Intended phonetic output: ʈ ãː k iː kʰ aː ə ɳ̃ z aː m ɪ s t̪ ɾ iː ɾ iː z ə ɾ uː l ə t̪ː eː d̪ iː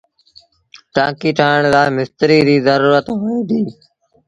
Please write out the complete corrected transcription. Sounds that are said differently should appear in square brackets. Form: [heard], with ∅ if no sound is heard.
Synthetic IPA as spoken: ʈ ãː k iː [ʈʰ] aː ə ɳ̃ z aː m ɪ s t̪ ɾ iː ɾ iː z ə ɾ uː [ɾ] ə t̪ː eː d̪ iː